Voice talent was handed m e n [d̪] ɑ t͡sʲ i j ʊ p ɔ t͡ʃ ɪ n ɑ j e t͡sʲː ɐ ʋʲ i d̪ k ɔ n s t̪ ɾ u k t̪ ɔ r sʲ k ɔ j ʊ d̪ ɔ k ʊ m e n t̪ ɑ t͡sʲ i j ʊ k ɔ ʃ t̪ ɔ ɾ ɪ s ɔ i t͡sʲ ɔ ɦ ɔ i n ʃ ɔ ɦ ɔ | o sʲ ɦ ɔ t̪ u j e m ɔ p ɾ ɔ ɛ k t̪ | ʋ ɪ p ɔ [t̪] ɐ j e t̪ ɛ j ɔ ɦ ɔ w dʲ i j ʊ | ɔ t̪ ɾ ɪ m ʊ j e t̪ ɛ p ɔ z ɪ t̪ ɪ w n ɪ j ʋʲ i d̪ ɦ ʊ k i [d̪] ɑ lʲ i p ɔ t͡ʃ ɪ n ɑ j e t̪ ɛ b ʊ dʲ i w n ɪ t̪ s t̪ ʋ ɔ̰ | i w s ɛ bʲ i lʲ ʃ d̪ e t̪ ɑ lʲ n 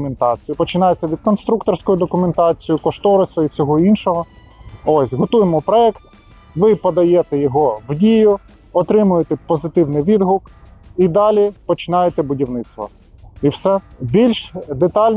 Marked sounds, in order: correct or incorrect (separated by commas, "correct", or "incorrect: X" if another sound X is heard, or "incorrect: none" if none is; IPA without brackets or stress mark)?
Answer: incorrect: t̪, incorrect: d̪, correct